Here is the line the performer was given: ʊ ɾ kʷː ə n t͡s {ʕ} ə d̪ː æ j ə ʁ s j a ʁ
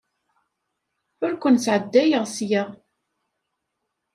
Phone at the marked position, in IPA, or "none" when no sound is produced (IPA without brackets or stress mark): ʕ